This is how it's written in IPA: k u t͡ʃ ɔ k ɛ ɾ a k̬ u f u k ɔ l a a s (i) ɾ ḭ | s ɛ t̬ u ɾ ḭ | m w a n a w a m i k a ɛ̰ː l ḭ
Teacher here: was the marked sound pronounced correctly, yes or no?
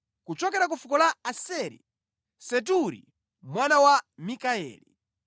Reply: no